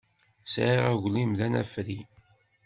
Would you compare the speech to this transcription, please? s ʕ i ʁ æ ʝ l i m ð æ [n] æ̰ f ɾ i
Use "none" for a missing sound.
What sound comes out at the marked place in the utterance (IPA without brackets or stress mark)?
n